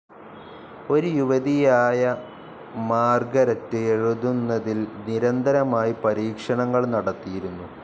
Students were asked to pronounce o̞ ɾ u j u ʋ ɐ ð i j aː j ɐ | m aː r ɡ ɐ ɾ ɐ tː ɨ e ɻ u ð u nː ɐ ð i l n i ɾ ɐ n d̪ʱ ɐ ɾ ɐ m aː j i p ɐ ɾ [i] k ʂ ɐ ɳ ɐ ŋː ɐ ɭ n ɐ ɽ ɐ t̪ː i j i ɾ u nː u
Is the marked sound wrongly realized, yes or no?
yes